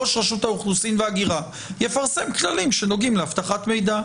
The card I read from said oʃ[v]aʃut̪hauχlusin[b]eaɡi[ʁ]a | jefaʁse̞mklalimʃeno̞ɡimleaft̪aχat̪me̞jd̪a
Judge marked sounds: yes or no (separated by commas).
no, no, yes